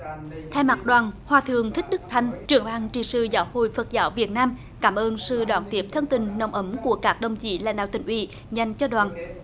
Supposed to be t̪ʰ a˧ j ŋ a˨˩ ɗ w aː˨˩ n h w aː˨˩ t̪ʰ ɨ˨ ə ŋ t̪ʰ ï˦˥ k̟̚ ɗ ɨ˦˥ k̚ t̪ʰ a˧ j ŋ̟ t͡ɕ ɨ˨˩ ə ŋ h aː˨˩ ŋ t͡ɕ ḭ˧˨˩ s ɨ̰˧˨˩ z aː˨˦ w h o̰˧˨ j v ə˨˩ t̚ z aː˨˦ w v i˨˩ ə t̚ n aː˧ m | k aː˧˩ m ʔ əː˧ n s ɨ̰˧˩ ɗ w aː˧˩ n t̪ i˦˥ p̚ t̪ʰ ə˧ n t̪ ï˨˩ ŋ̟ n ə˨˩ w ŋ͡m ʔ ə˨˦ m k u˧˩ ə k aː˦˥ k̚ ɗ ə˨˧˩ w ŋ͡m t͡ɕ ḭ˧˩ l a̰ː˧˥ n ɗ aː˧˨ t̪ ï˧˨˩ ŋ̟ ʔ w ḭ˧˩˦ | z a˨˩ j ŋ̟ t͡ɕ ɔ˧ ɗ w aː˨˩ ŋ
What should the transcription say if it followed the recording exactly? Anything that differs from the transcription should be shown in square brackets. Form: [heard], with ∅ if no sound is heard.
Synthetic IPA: t̪ʰ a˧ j [m] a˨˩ ɗ w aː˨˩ n h w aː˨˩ t̪ʰ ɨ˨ ə ŋ t̪ʰ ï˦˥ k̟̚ ɗ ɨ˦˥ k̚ t̪ʰ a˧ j ŋ̟ t͡ɕ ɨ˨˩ ə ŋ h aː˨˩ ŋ t͡ɕ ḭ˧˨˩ s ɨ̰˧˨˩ z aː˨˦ w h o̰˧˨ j [f] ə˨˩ t̚ z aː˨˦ w v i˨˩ ə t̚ n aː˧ m | k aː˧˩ m ʔ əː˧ n s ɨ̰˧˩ ɗ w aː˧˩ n t̪ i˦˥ p̚ t̪ʰ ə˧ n t̪ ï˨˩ ŋ̟ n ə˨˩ w ŋ͡m ʔ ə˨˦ m k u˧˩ ə k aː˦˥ k̚ ɗ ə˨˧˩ w ŋ͡m t͡ɕ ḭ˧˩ l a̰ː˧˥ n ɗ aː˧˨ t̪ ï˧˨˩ ŋ̟ ʔ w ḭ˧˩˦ | z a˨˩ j ŋ̟ t͡ɕ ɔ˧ ɗ w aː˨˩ [n]

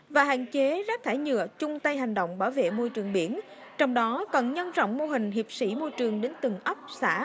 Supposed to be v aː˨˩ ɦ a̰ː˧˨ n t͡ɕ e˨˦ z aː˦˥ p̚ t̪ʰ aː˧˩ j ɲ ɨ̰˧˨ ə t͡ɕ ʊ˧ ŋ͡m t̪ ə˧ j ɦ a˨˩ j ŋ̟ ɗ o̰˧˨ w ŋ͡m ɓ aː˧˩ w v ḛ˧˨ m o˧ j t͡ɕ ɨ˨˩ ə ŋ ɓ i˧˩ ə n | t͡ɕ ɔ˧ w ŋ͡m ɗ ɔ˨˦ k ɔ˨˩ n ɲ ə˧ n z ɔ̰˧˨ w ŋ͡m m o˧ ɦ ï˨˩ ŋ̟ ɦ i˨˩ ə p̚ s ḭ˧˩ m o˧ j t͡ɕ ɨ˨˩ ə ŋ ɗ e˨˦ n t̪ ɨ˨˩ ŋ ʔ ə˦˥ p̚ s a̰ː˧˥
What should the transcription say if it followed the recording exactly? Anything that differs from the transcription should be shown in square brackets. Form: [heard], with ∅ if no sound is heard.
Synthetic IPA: v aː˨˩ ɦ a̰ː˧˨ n t͡ɕ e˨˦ z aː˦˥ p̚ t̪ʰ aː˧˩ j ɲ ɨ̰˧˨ ə t͡ɕ ʊ˧ ŋ͡m t̪ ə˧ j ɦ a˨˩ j ŋ̟ ɗ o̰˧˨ w ŋ͡m ɓ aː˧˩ w v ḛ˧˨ m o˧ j t͡ɕ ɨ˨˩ ə ŋ ɓ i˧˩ ə n | t͡ɕ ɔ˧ w ŋ͡m ɗ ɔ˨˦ k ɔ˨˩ n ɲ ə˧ n z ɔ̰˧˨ w ŋ͡m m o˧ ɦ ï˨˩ ŋ̟ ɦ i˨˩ ə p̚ s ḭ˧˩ m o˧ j t͡ɕ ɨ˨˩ ə ŋ ɗ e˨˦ n t̪ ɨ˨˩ ŋ ʔ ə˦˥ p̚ s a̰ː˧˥

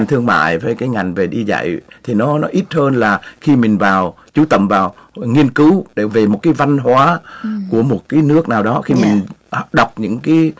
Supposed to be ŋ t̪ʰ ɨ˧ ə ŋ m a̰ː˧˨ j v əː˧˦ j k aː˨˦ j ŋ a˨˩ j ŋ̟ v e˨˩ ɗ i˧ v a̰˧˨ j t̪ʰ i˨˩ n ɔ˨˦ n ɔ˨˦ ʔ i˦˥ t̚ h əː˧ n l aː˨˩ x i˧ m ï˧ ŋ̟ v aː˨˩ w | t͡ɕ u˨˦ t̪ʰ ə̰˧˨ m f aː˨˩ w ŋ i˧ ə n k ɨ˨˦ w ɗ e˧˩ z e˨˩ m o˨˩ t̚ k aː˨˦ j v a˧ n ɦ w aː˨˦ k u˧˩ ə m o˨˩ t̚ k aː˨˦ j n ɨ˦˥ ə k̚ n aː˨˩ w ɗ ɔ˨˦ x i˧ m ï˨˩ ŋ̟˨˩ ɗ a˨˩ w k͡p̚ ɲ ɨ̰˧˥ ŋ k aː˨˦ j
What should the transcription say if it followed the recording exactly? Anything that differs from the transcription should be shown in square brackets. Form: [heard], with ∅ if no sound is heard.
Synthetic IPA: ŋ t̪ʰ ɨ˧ ə ŋ m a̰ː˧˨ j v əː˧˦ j k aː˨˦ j ŋ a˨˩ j ŋ̟ v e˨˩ ɗ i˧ [z] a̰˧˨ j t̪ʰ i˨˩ n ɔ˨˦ n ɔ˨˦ ʔ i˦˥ t̚ h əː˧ n l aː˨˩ x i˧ m [ï˨˩] ŋ̟ v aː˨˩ w | t͡ɕ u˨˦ [t̪] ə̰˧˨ m [v] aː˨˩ w ŋ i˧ ə n k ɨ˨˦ w ɗ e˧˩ [v] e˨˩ m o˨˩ t̚ k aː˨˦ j v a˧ n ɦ w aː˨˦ k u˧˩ ə m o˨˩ t̚ k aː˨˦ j n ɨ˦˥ ə k̚ n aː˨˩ w ɗ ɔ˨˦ x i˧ m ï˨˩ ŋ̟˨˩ ɗ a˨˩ w k͡p̚ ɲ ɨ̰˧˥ ŋ k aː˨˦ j

